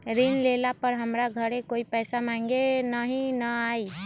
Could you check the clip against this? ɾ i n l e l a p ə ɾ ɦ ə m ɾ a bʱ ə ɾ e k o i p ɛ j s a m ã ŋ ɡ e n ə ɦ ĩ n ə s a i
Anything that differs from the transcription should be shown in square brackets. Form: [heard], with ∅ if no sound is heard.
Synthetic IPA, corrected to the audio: ɾ i n l e l a p ə ɾ ɦ ə m ɾ a [ɡʱ] ə ɾ e k o i p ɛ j s a m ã ŋ ɡ e n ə ɦ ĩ n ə [∅] a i